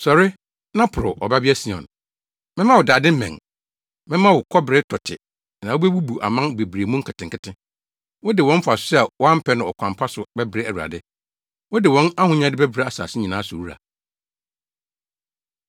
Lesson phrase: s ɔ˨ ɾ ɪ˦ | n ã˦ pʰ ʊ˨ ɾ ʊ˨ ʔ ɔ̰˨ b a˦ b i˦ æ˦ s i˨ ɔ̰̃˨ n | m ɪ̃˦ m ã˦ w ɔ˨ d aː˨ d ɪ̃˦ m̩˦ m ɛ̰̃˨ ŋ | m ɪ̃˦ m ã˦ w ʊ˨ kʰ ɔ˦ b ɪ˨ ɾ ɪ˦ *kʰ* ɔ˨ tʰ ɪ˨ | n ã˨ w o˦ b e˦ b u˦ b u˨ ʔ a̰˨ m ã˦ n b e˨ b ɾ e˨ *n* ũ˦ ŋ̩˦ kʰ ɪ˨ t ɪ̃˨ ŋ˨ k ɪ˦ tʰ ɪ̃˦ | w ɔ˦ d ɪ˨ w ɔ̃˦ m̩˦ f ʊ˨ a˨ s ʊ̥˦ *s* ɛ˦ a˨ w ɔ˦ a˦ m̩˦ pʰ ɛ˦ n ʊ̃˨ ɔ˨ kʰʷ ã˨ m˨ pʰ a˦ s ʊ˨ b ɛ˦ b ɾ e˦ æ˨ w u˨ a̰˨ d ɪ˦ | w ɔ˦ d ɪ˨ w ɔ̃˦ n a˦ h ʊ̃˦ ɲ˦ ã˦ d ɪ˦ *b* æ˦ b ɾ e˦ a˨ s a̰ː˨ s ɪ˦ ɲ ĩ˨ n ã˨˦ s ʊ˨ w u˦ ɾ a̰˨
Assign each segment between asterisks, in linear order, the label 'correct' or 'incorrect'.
incorrect: tʰ, incorrect: m, correct, correct

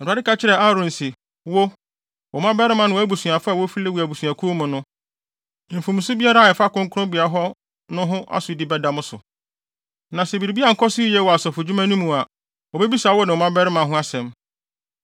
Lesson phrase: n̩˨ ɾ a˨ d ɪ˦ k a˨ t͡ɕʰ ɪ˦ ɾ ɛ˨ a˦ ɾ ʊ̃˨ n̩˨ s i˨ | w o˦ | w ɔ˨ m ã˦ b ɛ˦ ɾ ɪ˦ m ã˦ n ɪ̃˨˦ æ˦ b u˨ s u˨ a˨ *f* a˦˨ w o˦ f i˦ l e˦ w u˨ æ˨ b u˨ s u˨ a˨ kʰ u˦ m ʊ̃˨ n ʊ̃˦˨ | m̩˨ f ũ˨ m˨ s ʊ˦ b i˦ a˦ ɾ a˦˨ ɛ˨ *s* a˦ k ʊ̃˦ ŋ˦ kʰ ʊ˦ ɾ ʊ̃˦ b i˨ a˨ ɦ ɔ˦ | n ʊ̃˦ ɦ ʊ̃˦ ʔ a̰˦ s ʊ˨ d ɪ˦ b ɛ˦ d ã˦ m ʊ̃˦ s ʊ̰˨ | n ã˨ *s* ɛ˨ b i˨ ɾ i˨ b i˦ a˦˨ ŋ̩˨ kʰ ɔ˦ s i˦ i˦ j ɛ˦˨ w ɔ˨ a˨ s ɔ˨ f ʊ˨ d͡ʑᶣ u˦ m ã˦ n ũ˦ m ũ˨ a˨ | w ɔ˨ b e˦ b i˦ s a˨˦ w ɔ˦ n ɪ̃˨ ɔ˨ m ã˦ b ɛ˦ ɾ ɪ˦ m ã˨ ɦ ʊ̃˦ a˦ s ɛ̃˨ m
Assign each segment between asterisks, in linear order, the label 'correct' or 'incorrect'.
correct, incorrect: f, correct

